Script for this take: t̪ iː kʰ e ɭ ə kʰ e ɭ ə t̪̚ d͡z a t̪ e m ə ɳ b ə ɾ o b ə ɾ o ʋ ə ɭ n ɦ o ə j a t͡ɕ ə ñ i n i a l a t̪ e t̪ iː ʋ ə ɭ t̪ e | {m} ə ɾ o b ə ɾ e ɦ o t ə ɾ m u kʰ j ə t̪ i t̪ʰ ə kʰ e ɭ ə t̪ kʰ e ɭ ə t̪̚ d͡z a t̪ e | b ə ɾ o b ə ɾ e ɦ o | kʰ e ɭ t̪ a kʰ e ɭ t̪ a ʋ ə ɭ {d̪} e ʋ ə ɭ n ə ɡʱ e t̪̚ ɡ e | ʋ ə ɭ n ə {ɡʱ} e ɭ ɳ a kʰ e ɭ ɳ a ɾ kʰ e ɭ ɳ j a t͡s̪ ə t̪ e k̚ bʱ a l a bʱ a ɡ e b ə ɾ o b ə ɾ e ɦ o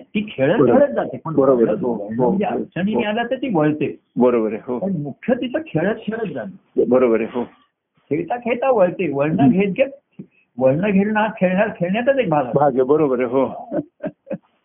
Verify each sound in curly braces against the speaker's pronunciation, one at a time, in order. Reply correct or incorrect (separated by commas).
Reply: incorrect, incorrect, correct